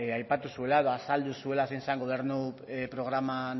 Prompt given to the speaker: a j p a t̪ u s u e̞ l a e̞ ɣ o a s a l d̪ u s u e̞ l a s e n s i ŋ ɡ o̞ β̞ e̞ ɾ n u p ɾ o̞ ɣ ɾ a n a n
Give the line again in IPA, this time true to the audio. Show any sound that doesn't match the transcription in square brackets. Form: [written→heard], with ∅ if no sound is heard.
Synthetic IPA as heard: a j p a t̪ u s u e̞ l a e̞ [ɣ→ð] o a s a l d̪ u s u e̞ l a s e n s [i→a] ŋ ɡ o̞ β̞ e̞ ɾ n u p ɾ o̞ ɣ ɾ a [n→m] a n